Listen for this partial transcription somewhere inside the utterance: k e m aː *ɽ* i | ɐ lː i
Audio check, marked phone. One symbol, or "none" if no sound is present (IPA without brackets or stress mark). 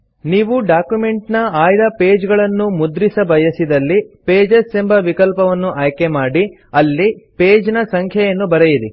ɽ